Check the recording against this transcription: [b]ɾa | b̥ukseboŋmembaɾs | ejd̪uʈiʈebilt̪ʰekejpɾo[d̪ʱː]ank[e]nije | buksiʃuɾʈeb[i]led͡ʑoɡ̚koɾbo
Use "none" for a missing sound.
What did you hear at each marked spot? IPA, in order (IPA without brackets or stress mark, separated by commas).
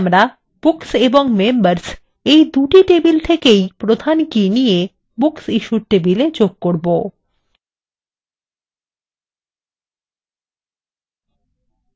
m, d̪ʱ, i, i